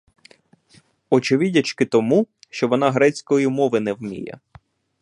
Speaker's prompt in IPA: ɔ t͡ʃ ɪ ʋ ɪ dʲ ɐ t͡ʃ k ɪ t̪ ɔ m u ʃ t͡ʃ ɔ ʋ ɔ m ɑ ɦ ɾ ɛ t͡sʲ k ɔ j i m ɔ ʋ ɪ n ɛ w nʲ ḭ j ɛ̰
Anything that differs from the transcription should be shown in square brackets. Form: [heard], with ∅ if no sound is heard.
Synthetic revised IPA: ɔ t͡ʃ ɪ ʋ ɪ dʲ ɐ t͡ʃ k ɪ t̪ ɔ m u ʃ t͡ʃ ɔ ʋ ɔ [n] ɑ ɦ ɾ ɛ t͡sʲ k ɔ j i m ɔ ʋ ɪ n ɛ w [mʲ] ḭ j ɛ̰